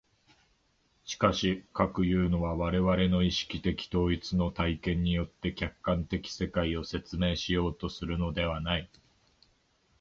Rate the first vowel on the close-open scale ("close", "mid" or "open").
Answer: close